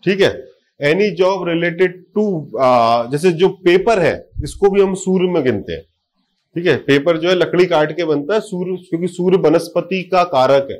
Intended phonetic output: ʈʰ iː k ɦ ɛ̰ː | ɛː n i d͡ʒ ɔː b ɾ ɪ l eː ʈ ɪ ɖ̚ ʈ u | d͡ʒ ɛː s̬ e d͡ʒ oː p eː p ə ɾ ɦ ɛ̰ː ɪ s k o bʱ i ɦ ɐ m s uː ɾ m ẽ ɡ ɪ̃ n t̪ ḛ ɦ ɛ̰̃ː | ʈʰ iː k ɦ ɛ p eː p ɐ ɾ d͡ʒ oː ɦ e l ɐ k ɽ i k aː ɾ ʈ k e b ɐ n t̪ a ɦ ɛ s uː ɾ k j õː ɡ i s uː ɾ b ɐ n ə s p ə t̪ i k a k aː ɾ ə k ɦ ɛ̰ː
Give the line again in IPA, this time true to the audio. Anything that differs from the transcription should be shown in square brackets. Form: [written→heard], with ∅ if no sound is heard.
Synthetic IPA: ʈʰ iː k ɦ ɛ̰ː | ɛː n i d͡ʒ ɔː b ɾ ɪ l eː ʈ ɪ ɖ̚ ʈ u | d͡ʒ ɛː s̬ e d͡ʒ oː p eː p ə ɾ ɦ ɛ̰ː ɪ s k o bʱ i ɦ ɐ m s uː ɾ m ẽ ɡ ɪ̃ n t̪ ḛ ɦ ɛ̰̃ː | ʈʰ iː k ɦ ɛ p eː p [ɐ→ə] ɾ d͡ʒ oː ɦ [e→ɛ] l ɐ k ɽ i k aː ɾ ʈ k e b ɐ n t̪ a ɦ ɛ s uː ɾ k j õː [ɡ→k] i s uː ɾ b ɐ n ə s p ə t̪ i k a k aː ɾ ə k ɦ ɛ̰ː